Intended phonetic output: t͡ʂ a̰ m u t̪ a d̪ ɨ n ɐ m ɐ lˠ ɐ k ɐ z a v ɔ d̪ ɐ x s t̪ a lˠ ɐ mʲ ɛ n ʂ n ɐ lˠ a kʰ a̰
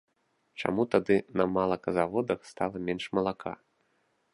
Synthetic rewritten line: t͡ʂ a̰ m u t̪ a d̪ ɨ n ɐ m a lˠ ɐ k ɐ z a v ɔ d̪ ɐ x s t̪ a lˠ ɐ mʲ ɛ n ʂ m ɐ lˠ a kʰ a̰